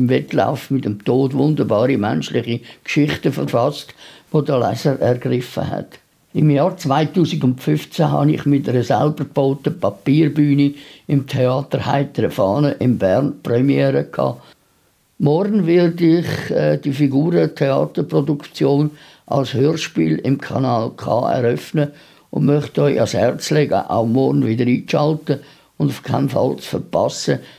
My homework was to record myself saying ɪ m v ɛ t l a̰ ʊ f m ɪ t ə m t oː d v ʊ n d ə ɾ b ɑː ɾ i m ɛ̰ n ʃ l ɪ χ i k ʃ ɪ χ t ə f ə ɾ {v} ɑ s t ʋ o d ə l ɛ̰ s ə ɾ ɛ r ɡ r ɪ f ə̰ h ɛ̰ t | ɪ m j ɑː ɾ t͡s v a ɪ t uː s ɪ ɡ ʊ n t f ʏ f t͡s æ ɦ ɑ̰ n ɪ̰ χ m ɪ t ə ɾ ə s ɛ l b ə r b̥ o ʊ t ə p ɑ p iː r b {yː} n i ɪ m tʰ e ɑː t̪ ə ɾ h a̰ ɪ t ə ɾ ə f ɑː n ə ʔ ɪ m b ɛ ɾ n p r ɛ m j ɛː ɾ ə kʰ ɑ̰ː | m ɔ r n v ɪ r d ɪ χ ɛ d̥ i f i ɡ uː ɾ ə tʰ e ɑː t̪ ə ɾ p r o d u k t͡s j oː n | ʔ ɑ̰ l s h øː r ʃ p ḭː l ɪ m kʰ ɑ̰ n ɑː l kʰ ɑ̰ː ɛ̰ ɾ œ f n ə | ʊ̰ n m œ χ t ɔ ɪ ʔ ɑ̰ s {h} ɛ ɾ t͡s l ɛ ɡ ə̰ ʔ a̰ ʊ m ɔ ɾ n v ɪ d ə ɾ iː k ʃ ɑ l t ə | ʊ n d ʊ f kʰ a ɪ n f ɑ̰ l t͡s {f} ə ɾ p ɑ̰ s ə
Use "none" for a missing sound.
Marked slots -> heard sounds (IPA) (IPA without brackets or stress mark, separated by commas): f, yː, h, f